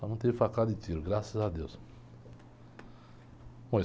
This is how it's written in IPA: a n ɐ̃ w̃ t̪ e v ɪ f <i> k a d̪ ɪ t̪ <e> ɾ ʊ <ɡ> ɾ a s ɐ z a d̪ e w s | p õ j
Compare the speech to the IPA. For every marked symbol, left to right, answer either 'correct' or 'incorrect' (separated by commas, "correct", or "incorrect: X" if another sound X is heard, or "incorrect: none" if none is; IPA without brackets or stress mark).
incorrect: a, incorrect: i, correct